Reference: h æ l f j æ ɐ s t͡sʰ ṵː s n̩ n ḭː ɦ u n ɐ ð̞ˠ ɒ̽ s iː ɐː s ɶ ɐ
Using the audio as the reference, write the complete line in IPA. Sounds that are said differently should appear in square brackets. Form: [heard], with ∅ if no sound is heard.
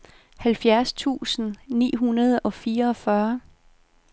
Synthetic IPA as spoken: h æ l f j æ ɐ s t͡sʰ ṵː s n̩ n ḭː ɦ u n ɐ ð̞ˠ ɒ̽ [f] iː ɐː [f] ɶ ɐ